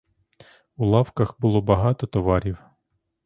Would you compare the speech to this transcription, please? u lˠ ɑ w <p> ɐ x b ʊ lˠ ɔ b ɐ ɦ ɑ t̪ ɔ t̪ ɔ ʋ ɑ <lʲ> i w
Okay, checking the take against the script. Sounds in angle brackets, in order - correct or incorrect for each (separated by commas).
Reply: incorrect, incorrect